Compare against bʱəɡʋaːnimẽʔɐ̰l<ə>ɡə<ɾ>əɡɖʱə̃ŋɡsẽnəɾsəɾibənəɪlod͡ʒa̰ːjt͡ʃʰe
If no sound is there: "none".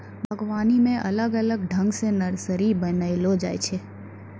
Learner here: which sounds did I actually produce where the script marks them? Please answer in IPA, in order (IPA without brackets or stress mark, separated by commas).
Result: ə, l